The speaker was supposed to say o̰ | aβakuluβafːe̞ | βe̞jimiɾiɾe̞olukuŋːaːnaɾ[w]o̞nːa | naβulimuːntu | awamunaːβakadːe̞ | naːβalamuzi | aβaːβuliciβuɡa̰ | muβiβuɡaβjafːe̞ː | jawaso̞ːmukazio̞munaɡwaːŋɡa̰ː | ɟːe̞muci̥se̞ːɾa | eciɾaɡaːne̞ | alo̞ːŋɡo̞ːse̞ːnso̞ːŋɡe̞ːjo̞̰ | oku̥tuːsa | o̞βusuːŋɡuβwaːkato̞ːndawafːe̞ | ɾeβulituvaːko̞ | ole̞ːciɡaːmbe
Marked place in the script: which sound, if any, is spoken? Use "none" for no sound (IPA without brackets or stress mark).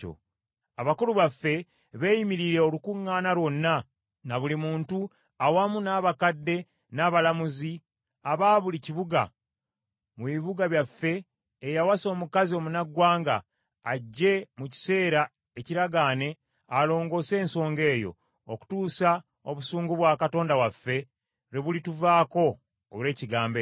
w